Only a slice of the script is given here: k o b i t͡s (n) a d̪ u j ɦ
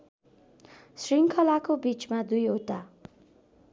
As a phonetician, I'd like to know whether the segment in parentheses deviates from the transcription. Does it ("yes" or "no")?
yes